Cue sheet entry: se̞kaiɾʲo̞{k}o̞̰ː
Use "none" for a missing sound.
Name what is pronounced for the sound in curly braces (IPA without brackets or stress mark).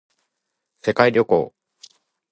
k